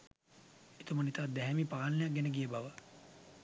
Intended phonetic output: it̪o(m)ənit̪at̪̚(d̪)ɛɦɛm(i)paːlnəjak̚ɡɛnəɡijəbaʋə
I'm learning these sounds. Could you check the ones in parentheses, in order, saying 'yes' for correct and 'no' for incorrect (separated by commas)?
yes, yes, yes